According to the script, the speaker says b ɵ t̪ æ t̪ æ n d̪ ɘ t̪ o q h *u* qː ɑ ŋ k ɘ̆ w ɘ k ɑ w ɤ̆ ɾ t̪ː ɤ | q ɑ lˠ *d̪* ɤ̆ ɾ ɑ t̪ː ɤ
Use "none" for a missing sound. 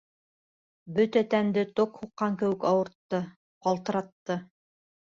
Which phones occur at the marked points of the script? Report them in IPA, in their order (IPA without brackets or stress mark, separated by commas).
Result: u, t̪